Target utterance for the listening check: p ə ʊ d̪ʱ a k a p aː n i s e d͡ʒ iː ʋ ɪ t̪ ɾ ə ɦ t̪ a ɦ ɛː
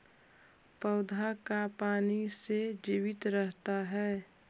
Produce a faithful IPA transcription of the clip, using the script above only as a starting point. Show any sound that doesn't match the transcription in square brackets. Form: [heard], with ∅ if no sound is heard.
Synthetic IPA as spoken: p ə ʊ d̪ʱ a k a p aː n i s e d͡ʒ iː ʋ ɪ t̪ ɾ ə ɦ t̪ a ɦ ɛː